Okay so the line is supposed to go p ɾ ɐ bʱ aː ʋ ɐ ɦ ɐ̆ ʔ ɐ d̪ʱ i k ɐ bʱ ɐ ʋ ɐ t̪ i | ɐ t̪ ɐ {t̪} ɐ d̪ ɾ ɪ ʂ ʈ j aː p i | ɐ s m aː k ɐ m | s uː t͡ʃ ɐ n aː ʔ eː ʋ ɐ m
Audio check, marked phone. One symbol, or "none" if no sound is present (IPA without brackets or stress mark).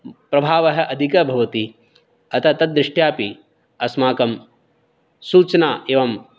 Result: t̪